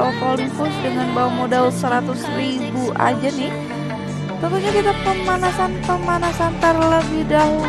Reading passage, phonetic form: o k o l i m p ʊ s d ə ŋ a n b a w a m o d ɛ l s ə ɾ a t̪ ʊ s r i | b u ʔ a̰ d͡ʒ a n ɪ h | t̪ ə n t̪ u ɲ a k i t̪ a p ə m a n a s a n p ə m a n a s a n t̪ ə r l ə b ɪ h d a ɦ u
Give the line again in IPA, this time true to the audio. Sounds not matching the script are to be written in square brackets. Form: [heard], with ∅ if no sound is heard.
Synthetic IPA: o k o l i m p ʊ s d ə ŋ a n b a w a m o d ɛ l s ə ɾ a t̪ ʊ s r i | b u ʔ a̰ d͡ʒ a n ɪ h | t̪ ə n t̪ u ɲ a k i t̪ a p ə m a n a s a n p ə m a n a s a n t̪ ə r l ə b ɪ h d a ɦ u